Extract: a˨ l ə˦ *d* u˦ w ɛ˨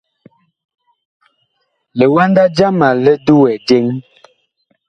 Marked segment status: correct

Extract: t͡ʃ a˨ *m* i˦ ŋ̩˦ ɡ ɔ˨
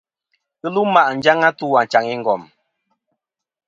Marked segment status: incorrect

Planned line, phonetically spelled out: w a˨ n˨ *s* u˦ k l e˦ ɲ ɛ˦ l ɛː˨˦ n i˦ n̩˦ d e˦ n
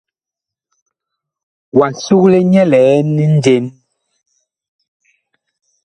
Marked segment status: correct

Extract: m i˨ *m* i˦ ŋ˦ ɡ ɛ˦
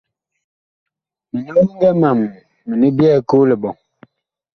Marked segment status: incorrect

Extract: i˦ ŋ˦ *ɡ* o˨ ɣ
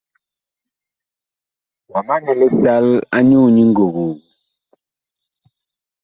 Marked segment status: correct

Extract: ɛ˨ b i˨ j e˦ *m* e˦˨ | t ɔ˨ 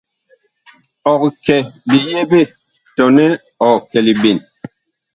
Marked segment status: incorrect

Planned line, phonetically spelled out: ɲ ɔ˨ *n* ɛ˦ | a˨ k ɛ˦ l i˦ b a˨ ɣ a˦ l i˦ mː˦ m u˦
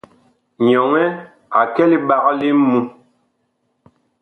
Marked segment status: incorrect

